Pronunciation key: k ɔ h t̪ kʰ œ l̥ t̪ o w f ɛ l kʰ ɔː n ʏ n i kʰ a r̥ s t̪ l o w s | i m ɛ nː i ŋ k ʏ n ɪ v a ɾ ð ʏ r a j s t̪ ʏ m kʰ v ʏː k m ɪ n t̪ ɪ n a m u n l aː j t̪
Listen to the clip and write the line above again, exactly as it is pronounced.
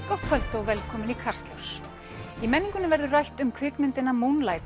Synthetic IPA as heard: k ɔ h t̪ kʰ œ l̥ t̪ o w v ɛ l kʰ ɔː m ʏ n i kʰ a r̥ s t̪ l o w s | i m ɛ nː i ŋ k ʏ n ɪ v ɛ ɾ ð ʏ r a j h t̪ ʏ m kʰ v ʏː k m ɪ n t̪ ɪ n a m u n l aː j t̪